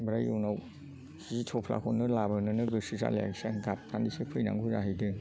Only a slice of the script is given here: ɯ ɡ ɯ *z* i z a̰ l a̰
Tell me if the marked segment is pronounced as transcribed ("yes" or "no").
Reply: no